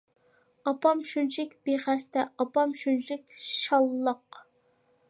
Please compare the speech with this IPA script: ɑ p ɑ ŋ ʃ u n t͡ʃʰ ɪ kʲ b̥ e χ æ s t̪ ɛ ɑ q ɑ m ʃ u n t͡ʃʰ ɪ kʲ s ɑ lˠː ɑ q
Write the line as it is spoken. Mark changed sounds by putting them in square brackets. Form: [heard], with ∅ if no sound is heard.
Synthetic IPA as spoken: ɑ p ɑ [m] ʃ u n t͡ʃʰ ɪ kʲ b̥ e χ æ s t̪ ɛ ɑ [p] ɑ m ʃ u n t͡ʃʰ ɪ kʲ [ʃ] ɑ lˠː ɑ q